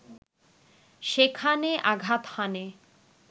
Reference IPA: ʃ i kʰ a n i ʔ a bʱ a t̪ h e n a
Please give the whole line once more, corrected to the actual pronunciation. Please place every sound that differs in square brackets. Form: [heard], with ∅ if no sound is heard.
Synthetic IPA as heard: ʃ [e] kʰ a n [e] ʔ a [ɡʱ] a t̪ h [a] n [e]